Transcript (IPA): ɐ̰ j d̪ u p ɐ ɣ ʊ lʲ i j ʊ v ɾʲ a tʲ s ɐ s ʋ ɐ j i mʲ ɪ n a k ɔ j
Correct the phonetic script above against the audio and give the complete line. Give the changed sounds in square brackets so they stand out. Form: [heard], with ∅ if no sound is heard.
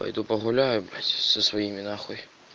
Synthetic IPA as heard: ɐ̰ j d̪ u p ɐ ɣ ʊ lʲ [a] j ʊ [b] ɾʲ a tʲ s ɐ s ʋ ɐ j i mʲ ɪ n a [x] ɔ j